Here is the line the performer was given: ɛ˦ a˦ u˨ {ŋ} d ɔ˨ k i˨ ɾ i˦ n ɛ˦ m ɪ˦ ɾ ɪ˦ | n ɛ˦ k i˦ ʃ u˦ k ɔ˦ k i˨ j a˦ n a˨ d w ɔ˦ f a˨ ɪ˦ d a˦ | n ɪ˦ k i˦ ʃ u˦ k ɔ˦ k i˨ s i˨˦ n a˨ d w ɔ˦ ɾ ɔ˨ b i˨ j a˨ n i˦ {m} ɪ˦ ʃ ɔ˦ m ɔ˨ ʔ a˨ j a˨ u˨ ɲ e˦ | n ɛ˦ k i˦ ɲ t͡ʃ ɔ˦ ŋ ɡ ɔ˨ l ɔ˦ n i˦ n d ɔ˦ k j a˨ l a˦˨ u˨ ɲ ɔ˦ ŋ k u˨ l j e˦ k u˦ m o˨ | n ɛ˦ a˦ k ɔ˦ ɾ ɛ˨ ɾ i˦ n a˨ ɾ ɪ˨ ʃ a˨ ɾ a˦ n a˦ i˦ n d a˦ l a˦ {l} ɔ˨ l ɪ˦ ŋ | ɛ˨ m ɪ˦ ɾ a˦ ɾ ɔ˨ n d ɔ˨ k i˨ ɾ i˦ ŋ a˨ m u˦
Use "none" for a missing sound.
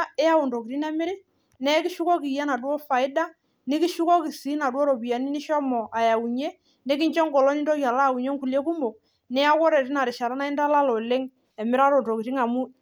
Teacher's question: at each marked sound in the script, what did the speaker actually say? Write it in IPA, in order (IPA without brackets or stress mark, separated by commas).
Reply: n, n, l